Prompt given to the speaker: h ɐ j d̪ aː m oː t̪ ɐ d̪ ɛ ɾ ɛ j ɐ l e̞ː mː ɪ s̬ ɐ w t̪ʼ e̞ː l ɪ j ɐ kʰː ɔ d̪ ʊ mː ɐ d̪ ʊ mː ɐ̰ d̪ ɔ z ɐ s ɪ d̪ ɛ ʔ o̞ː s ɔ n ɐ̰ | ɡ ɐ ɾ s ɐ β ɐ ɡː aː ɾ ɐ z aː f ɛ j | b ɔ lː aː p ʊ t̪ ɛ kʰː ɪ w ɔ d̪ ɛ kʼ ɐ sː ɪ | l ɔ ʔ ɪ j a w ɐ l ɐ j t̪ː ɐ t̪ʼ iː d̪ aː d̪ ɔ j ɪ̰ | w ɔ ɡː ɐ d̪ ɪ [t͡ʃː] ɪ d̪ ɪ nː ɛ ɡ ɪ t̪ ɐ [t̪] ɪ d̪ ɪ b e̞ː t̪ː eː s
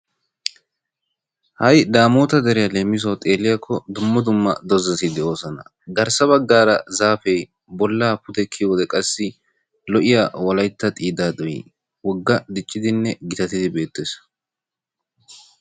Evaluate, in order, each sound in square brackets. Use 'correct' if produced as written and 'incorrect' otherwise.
incorrect, correct

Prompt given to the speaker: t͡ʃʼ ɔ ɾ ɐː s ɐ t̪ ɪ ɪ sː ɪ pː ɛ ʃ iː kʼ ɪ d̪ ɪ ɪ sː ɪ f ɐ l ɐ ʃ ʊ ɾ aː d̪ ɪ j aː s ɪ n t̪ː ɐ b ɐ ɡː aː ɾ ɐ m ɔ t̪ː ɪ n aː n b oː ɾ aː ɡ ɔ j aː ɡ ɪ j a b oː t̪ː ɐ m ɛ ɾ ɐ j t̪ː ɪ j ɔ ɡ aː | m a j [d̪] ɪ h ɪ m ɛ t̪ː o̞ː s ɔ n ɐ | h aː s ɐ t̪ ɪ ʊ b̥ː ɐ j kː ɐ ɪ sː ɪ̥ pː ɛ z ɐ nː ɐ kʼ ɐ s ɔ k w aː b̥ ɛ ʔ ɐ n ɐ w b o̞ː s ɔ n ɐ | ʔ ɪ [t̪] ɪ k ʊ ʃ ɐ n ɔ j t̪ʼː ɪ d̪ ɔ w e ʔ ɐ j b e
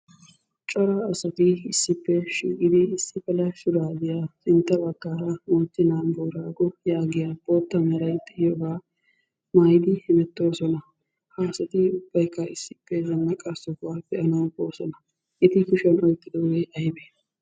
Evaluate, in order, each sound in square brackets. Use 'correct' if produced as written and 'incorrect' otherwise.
correct, correct

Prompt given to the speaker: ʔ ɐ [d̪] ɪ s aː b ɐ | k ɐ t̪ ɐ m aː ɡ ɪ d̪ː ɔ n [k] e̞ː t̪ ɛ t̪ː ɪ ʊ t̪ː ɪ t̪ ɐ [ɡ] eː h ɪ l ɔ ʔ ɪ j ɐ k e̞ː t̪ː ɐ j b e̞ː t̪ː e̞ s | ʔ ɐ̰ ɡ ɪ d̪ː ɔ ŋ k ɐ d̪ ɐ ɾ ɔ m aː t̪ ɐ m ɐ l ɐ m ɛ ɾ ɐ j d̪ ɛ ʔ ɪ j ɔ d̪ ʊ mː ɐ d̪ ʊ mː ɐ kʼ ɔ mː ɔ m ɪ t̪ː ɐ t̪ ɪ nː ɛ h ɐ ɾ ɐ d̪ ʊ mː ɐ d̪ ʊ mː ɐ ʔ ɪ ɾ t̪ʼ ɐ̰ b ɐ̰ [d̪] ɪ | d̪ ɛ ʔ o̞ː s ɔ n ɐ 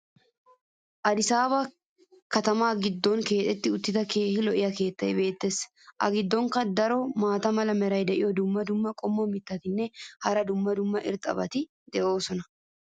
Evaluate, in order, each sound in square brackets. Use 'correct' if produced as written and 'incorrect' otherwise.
correct, correct, incorrect, incorrect

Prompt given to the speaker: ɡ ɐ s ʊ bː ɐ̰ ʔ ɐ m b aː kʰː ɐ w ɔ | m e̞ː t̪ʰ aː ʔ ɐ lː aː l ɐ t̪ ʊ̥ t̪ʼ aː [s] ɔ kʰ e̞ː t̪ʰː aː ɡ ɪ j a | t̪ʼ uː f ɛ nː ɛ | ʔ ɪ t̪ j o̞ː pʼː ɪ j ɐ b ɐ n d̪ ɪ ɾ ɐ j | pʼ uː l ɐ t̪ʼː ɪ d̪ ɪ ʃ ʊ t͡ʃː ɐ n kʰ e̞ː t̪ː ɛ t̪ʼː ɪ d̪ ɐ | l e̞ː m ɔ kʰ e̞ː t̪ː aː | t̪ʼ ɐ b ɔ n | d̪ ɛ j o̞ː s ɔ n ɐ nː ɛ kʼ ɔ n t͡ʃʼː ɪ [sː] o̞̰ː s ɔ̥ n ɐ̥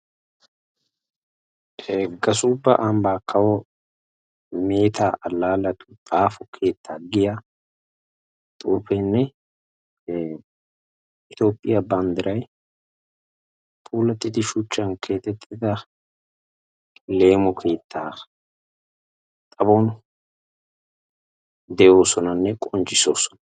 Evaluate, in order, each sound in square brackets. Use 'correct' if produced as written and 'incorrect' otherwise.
incorrect, incorrect

